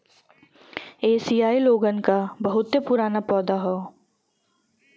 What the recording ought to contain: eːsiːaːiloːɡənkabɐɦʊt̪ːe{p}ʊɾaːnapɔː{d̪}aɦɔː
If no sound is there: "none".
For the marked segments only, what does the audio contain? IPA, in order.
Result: p, d̪

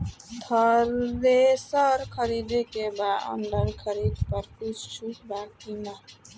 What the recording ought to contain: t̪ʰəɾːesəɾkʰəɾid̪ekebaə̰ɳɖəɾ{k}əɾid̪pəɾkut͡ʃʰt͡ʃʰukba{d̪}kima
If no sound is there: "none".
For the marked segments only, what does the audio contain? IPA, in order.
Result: kʰ, none

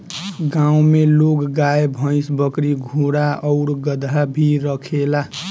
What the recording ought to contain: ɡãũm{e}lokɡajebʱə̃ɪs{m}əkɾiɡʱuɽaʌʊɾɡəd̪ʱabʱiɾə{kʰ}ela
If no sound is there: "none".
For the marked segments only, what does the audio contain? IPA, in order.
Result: e, b, kʰ

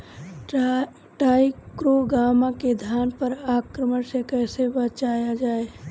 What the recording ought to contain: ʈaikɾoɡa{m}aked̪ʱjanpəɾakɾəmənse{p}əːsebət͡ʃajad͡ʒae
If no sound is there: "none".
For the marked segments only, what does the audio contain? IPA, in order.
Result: m, k

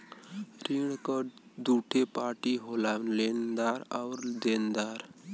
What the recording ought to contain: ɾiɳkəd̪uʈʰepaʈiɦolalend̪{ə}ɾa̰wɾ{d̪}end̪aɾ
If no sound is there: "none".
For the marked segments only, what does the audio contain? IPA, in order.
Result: a, d̪

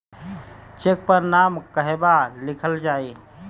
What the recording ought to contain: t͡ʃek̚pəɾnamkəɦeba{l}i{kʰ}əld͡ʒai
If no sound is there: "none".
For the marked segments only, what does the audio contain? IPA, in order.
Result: l, kʰ

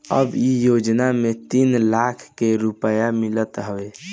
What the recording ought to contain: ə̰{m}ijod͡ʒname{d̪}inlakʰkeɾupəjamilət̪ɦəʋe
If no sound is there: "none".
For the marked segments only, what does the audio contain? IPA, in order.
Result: b, t̪

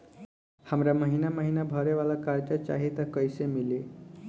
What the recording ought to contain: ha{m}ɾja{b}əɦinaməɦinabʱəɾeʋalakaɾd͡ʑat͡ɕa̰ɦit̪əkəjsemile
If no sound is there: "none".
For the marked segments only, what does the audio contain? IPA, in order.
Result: m, m

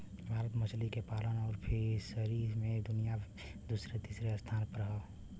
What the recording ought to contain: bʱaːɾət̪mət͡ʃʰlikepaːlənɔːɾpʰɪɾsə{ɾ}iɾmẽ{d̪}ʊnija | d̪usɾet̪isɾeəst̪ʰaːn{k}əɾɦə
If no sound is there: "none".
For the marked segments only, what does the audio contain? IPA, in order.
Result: ɾ, d̪, p

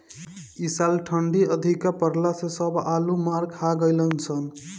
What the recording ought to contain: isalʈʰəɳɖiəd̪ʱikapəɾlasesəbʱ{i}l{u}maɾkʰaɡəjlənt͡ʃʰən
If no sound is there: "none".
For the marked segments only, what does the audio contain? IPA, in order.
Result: a, u

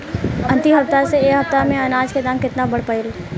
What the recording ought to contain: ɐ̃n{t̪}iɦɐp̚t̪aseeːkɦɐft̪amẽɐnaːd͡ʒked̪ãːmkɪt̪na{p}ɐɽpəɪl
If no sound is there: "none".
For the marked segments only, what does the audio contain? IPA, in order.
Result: t̪, b

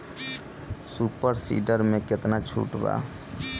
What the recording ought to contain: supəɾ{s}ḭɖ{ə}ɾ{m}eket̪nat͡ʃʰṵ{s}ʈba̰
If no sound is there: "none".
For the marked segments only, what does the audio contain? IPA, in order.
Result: s, ə, m, none

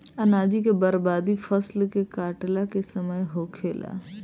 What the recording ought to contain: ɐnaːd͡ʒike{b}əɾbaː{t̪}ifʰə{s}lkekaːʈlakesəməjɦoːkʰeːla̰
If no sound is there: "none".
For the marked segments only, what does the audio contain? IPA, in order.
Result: b, d̪, s

